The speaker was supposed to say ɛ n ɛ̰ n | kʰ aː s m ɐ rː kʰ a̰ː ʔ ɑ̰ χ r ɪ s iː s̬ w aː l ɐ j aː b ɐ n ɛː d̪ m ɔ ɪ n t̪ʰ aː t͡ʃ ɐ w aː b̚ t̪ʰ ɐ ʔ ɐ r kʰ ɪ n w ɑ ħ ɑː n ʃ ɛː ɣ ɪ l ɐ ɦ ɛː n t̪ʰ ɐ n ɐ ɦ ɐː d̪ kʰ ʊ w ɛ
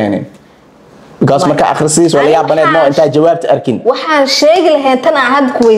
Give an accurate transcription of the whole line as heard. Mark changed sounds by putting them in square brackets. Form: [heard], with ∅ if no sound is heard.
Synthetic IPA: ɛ n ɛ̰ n | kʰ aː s m ɐ [r] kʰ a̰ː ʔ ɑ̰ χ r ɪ s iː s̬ w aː l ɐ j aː b ɐ n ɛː d̪ m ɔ ɪ n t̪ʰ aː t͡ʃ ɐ w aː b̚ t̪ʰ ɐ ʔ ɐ r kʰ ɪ n w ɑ ħ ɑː n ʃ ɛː ɣ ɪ l ɐ ɦ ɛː n t̪ʰ ɐ n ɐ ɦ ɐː d̪ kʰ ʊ w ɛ